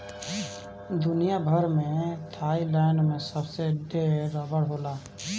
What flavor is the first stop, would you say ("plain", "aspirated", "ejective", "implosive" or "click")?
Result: plain